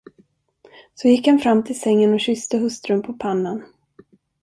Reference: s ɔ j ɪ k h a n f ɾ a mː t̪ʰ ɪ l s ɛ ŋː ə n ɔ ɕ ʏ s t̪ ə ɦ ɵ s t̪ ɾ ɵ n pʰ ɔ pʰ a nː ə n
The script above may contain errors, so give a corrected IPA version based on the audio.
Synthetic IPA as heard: s ɔ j ɪ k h a n f ɾ a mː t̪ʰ ɪ l s ɛ ŋː ə n ɔ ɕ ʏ s t̪ ə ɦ ɵ s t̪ ɾ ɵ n pʰ ɔ pʰ a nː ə n